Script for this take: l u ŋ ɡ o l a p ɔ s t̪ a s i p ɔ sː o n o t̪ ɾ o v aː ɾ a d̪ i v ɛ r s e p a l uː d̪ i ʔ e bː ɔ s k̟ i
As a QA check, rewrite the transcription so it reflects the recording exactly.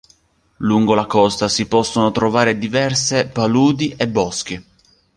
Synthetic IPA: l u ŋ ɡ o l a k ɔ s t̪ a s i p ɔ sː o n o t̪ ɾ o v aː ɾ e d̪ i v ɛ r s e p a l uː d̪ i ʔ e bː ɔ s k̟ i